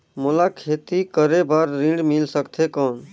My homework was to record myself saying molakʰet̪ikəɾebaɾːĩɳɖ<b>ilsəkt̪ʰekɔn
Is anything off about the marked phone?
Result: yes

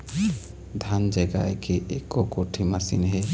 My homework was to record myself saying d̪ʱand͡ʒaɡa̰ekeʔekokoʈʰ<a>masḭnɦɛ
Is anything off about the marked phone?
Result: yes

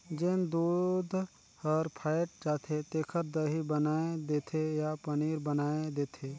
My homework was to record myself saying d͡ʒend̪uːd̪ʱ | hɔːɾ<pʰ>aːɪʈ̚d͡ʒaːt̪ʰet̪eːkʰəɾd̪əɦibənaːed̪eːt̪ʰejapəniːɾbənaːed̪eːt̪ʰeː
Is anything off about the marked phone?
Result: no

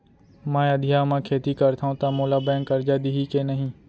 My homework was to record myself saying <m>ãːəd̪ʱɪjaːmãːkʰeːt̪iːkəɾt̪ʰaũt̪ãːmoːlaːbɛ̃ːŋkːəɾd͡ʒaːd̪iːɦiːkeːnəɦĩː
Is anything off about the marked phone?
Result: no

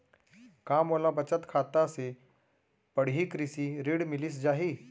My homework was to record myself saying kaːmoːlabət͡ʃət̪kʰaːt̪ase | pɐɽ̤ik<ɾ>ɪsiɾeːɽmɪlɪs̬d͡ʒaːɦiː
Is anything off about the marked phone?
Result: no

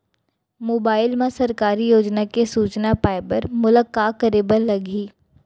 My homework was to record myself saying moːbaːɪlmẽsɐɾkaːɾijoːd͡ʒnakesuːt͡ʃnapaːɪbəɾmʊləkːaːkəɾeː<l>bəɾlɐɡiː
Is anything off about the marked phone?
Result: yes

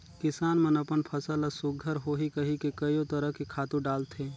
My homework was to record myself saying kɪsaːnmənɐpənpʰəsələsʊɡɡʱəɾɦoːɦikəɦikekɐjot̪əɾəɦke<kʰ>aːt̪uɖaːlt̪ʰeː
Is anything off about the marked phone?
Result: no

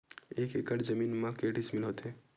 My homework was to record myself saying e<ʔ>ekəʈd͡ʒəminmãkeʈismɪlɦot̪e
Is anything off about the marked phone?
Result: yes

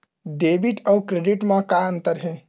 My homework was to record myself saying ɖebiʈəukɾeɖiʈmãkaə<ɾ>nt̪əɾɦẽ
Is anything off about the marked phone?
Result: yes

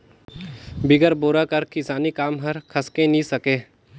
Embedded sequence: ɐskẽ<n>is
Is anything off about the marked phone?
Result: no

